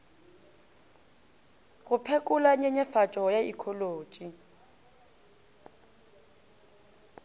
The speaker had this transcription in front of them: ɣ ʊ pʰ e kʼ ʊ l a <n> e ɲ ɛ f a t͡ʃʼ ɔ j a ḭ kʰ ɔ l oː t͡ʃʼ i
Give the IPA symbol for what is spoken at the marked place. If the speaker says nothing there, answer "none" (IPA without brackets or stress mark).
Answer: ɲ